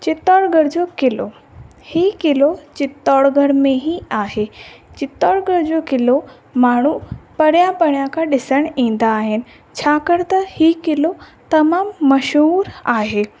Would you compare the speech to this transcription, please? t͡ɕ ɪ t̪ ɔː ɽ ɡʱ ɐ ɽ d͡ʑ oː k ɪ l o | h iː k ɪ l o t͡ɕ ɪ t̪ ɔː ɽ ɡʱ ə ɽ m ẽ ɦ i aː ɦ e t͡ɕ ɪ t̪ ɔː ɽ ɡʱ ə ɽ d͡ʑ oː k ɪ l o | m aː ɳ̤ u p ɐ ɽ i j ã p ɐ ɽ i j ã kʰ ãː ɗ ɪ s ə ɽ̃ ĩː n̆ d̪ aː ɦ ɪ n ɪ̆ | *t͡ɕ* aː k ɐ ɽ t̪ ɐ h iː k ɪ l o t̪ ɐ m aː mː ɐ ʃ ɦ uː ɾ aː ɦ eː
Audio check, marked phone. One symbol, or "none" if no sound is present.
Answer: t͡ɕʰ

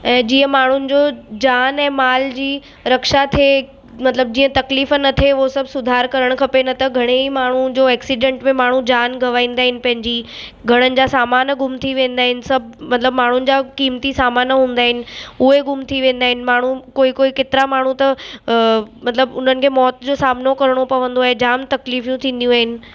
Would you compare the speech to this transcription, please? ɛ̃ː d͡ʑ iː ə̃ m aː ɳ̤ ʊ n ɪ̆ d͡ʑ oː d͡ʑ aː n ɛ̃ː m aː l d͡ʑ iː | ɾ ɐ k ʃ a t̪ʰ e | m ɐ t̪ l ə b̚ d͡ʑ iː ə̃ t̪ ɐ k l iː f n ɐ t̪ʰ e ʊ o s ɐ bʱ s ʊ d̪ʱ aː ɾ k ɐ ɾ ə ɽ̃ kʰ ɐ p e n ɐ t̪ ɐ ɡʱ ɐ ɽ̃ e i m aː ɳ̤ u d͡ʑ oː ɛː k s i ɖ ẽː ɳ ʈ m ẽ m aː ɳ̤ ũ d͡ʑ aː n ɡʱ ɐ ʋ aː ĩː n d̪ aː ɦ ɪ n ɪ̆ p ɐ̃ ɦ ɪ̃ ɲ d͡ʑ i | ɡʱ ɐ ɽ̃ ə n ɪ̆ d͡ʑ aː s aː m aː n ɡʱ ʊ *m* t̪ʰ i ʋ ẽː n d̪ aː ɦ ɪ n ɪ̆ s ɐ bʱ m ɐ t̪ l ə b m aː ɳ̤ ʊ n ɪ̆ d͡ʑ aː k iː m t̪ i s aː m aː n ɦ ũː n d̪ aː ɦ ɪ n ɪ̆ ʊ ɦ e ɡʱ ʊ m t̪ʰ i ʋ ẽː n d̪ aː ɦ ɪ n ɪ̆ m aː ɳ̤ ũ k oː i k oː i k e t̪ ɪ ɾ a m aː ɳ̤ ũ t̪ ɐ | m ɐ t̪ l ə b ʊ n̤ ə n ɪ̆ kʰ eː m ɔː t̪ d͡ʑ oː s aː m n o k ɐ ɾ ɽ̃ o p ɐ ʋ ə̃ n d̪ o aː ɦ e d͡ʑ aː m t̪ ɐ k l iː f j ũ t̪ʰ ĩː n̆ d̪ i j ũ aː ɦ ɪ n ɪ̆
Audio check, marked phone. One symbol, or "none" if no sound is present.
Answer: m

